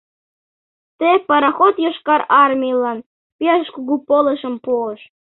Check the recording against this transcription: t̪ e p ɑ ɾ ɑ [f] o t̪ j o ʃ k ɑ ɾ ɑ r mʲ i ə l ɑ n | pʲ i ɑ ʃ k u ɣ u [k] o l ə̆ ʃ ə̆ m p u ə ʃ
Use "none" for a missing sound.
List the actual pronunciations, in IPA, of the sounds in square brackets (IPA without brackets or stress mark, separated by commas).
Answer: x, p